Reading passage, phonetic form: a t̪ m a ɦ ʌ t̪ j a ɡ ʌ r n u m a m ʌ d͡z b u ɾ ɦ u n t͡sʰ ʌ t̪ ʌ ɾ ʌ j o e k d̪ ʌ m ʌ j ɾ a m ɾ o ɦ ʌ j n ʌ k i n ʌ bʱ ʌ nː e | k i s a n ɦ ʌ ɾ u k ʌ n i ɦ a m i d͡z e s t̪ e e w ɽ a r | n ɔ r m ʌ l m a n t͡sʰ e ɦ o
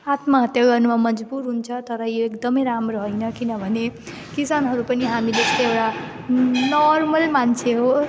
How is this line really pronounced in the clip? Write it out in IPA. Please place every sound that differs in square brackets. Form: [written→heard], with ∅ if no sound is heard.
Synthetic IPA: a t̪ m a ɦ ʌ t̪ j a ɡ ʌ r n u m a m ʌ d͡z b u ɾ ɦ u n t͡sʰ ʌ t̪ ʌ ɾ ʌ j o e k d̪ ʌ m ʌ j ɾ a m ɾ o ɦ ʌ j n ʌ k i n ʌ bʱ ʌ [nː→n] e | k i s a n ɦ ʌ ɾ u [k→p] ʌ n i ɦ a m i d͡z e s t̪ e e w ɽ a [r→∅] | n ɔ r m ʌ l m a n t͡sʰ e ɦ o